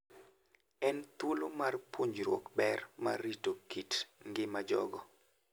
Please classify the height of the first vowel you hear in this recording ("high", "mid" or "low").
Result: mid